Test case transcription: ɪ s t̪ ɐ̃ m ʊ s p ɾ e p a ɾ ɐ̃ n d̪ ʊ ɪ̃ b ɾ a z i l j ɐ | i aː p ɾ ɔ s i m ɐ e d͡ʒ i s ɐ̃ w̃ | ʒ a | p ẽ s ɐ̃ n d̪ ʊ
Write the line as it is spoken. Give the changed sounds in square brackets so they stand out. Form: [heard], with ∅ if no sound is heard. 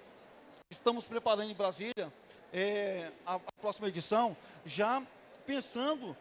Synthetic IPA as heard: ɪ s t̪ ɐ̃ m ʊ s p ɾ e p a ɾ ɐ̃ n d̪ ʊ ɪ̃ b ɾ a z i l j ɐ | [ɛ] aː p ɾ ɔ s i m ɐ e d͡ʒ i s ɐ̃ w̃ | ʒ a | p ẽ s ɐ̃ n d̪ ʊ